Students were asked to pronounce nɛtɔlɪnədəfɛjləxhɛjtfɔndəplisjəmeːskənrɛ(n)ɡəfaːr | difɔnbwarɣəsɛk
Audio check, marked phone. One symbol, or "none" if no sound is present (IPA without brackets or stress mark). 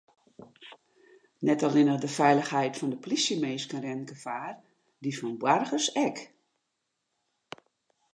n